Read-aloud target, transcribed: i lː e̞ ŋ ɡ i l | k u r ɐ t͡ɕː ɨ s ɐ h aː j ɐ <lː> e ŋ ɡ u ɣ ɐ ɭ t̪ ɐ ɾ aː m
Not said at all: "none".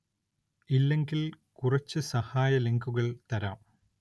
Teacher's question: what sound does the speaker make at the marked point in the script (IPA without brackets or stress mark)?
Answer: l